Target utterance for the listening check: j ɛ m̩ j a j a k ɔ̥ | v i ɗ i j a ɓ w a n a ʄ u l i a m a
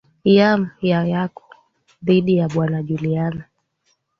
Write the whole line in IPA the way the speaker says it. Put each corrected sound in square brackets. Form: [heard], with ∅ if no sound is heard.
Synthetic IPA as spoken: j [a] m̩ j a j a k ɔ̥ | [ð] i ɗ i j a ɓ w a n a ʄ u l i a [n] a